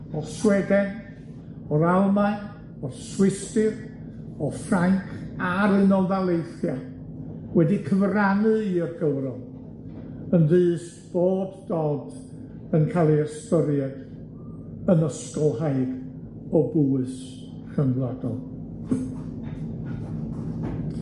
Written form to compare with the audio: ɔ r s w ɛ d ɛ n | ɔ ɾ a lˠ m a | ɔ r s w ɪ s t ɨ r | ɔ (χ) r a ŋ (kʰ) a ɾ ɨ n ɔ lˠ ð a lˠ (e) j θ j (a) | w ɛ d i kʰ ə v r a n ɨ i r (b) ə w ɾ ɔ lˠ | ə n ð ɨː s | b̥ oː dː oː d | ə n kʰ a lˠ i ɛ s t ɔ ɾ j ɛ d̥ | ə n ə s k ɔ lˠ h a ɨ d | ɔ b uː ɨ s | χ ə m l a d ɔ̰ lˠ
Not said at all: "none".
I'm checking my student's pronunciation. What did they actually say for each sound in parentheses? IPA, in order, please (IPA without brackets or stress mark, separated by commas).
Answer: f, kʰ, e, a, ɡ